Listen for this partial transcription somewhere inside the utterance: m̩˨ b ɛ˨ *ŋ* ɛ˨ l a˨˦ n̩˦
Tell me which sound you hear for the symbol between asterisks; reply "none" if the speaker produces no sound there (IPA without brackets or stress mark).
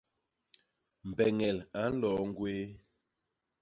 ŋ